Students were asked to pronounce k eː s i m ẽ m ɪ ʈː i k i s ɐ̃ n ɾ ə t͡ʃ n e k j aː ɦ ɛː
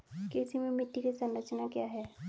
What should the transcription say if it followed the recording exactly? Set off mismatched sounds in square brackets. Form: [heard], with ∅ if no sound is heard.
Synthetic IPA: k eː s i m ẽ m ɪ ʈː i k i s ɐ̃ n ɾ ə t͡ʃ n [a] k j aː ɦ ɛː

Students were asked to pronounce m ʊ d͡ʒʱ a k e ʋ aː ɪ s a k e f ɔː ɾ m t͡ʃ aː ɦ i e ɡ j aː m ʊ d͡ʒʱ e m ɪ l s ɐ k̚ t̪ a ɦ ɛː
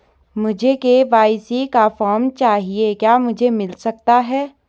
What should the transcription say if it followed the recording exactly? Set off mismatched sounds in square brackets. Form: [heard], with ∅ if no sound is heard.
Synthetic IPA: m ʊ d͡ʒʱ [e] k e ʋ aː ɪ s [i] k [a] f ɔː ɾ m t͡ʃ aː ɦ i e [k] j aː m ʊ d͡ʒʱ e m ɪ l s ɐ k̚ t̪ a ɦ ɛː

